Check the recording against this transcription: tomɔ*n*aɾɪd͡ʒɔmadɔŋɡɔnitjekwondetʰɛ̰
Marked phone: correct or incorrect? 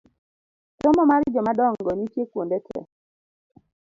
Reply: incorrect